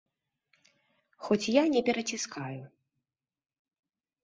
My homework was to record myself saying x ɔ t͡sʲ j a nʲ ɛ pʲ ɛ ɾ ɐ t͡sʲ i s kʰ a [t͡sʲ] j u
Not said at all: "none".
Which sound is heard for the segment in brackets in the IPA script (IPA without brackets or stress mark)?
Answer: none